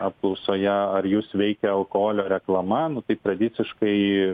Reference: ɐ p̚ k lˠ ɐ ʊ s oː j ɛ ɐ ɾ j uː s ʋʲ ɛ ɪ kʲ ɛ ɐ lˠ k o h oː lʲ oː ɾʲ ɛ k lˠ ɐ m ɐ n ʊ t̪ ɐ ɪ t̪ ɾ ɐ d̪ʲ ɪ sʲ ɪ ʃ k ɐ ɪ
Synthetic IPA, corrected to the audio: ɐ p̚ k lˠ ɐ ʊ s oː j ɛ ɐ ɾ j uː s ʋʲ ɛ ɪ kʲ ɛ ɐ lˠ k o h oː lʲ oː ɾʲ ɛ k lˠ ɐ m ɐ n ʊ t̪ ɐ ɪ t̪ ɾ ɐ d̪ʲ ɪ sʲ ɪ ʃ k ɐ ɪ

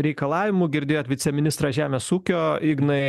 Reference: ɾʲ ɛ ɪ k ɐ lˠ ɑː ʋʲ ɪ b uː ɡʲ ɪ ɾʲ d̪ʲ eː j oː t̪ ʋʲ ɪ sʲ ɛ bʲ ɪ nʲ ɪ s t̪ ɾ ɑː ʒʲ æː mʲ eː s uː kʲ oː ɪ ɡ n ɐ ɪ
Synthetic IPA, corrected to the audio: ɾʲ ɛ ɪ k ɐ lˠ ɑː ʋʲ ɪ m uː ɡʲ ɪ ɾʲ d̪ʲ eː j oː t̪ ʋʲ ɪ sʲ ɛ mʲ ɪ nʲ ɪ s t̪ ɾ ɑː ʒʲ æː mʲ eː s uː kʲ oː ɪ ɡ n ɐ ɪ

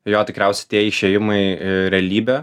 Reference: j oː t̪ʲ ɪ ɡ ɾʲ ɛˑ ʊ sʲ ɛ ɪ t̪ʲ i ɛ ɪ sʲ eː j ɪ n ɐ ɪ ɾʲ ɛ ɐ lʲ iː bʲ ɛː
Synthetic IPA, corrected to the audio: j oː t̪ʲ ɪ k ɾʲ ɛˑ ʊ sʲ ɛ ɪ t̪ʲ i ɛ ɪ ʃʲ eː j ɪ m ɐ ɪ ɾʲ ɛ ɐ lʲ iː bʲ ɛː

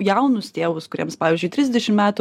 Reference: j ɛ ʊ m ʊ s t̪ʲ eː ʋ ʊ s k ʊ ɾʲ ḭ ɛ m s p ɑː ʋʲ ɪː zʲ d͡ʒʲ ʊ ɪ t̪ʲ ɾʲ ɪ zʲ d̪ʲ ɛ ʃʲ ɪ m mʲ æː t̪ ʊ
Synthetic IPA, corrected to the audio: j ɛ ʊ n ʊ s t̪ʲ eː ʋ ʊ s k ʊ ɾʲ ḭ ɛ m s p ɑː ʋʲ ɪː zʲ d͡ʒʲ ʊ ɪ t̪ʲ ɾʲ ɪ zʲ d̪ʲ ɛ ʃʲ ɪ m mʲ æː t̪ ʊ

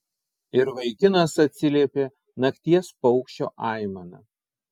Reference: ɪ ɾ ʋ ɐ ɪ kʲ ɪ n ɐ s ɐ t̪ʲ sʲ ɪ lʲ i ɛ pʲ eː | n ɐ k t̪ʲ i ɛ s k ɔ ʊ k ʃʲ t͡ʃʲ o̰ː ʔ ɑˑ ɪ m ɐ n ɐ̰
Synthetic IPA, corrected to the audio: ɪ ɾ ʋ ɐ ɪ kʲ ɪ n ɐ s ɐ t̪ʲ sʲ ɪ lʲ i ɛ pʲ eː | n ɐ k t̪ʲ i ɛ s p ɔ ʊ k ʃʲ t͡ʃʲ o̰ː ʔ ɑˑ ɪ m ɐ n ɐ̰

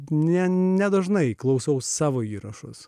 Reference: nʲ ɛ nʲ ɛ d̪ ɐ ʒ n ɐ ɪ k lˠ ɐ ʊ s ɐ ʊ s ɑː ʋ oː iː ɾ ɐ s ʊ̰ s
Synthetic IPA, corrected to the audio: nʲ ɛ nʲ ɛ d̪ ɐ ʒ n ɐ ɪ k lˠ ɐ ʊ s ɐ ʊ s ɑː ʋ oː iː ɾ ɐ ʃ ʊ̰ s

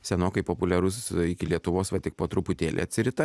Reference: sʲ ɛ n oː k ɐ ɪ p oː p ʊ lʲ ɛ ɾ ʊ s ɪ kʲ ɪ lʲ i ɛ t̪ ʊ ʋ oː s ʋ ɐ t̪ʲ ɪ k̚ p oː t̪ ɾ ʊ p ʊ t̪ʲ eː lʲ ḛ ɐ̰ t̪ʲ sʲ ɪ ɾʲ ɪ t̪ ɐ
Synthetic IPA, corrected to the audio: sʲ ɛ n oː k ɐ ɪ p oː p ʊ lʲ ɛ ɾ ʊ s ɪ kʲ ɪ lʲ i ɛ t̪ ʊ ʋ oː s ʋ ɐ t̪ʲ ɪ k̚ p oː t̪ ɾ ʊ p ʊ t̪ʲ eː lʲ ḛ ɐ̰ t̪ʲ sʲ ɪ ɾʲ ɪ t̪ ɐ

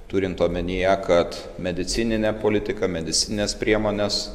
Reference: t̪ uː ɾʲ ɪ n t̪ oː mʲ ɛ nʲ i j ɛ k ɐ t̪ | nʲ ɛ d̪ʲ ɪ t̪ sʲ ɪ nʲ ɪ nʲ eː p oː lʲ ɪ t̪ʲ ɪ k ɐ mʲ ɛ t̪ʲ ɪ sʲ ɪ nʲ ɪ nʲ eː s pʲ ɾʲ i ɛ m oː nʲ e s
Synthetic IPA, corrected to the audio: t̪ uː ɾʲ ɪ n t̪ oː mʲ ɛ nʲ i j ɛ k ɐ t̪ | mʲ ɛ d̪ʲ ɪ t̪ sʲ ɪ nʲ ɪ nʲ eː p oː lʲ ɪ t̪ʲ ɪ k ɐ mʲ ɛ d̪ʲ ɪ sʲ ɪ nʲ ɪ nʲ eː s pʲ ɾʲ i ɛ m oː nʲ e s

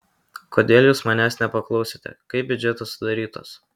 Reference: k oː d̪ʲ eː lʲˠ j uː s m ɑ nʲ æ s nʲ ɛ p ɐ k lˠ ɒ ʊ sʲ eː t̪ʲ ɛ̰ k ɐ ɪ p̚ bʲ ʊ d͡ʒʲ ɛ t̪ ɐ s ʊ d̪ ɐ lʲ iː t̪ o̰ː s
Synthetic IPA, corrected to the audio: k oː d̪ʲ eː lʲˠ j uː s m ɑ nʲ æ s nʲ ɛ p ɐ k lˠ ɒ ʊ sʲ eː t̪ʲ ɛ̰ k ɐ ɪ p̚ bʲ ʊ d͡ʒʲ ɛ t̪ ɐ s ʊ d̪ ɐ ɾʲ iː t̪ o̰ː s

